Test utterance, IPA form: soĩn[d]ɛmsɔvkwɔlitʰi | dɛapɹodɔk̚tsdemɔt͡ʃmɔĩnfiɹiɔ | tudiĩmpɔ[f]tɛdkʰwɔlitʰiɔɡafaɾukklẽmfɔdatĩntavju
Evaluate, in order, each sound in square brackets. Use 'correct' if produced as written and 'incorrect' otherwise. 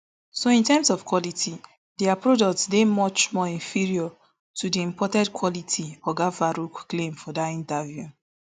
incorrect, incorrect

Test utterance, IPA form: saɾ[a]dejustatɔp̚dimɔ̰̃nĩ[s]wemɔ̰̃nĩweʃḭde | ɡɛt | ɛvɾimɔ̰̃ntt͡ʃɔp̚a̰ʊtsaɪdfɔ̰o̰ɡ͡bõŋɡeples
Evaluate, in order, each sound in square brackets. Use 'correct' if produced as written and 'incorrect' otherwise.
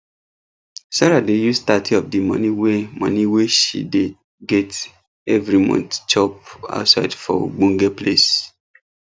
correct, incorrect

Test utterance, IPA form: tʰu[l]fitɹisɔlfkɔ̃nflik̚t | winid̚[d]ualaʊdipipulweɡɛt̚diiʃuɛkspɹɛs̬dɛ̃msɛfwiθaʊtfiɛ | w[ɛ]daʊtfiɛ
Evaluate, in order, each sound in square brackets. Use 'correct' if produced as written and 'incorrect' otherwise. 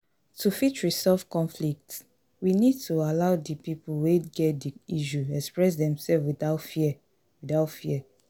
incorrect, incorrect, incorrect

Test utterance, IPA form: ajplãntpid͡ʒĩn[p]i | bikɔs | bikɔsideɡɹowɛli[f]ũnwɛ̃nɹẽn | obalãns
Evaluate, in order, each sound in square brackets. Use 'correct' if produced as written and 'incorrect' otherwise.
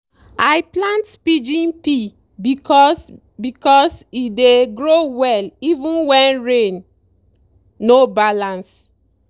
correct, incorrect

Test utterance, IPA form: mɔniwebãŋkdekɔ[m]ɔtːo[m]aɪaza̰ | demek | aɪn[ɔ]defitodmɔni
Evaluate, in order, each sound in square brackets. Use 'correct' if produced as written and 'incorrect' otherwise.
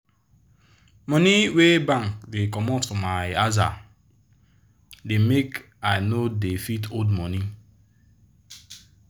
correct, correct, incorrect

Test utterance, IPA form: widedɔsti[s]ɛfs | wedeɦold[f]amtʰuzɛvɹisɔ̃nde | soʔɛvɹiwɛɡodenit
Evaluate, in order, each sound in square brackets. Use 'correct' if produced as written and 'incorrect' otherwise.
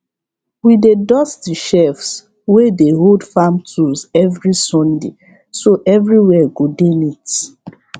incorrect, correct

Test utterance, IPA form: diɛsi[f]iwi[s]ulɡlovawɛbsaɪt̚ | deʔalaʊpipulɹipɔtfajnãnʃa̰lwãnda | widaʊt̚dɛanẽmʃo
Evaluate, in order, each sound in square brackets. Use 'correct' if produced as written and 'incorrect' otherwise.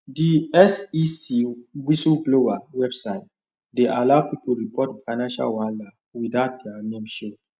incorrect, correct

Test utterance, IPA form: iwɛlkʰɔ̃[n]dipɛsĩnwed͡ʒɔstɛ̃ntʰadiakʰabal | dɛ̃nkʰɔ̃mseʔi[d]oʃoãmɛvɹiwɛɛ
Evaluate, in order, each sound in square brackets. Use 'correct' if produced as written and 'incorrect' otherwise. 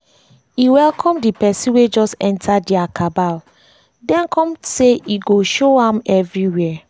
incorrect, incorrect

